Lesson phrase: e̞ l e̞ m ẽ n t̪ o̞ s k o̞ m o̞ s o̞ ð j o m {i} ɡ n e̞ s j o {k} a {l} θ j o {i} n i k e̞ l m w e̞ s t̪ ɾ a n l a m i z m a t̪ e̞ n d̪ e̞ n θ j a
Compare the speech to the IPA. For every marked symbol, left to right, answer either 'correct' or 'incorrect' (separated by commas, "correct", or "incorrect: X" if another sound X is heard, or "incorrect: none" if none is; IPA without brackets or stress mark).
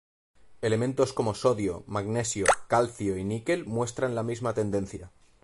incorrect: a, correct, correct, correct